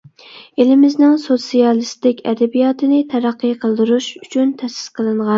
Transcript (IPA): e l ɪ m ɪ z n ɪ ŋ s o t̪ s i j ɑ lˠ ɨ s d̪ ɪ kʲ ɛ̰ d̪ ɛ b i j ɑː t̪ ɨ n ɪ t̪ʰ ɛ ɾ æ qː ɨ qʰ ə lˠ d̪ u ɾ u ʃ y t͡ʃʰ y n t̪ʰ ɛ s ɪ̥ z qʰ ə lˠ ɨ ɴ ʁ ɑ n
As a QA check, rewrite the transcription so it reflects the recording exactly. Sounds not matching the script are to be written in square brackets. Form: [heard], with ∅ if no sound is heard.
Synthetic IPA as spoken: e l ɪ m ɪ z n ɪ ŋ s o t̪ s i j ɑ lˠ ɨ s [t̪] ɪ kʲ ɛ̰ d̪ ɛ b i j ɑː t̪ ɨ n ɪ t̪ʰ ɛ ɾ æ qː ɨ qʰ ə lˠ d̪ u ɾ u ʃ y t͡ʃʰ y n t̪ʰ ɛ s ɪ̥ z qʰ ə lˠ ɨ ɴ ʁ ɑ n